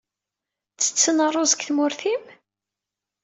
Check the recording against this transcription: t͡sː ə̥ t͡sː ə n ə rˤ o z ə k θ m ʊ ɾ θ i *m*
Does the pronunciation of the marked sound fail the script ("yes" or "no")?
no